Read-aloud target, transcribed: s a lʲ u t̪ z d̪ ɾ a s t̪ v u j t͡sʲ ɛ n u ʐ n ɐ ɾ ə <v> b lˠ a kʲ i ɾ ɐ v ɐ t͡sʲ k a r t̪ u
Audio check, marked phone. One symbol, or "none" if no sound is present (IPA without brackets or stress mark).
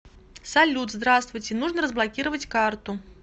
z